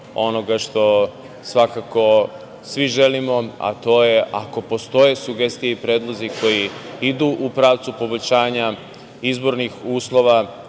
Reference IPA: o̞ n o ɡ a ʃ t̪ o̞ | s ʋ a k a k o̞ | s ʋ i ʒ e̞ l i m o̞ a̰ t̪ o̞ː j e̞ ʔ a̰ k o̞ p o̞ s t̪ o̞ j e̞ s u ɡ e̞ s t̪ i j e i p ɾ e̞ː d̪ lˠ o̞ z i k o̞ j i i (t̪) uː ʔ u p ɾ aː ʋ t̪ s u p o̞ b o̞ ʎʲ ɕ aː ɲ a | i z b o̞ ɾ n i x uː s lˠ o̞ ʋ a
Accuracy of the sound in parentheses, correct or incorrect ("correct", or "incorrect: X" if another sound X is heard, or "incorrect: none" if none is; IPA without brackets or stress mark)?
incorrect: d̪